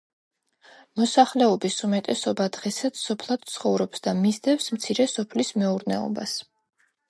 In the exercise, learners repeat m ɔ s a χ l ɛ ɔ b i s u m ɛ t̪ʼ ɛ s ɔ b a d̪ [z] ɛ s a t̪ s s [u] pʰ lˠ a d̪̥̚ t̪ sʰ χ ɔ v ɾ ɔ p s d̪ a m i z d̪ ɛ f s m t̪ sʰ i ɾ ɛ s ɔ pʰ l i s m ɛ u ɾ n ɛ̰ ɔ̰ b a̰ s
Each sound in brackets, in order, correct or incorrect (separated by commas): incorrect, incorrect